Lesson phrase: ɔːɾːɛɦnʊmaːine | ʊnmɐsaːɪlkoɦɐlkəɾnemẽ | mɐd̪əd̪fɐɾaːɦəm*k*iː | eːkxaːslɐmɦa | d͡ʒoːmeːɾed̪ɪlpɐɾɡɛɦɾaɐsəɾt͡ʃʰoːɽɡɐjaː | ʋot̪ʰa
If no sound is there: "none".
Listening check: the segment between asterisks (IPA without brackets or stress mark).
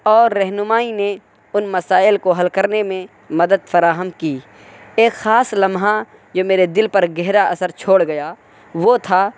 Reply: k